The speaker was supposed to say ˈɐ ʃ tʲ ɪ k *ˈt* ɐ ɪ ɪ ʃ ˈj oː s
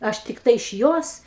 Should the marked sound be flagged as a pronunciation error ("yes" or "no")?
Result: no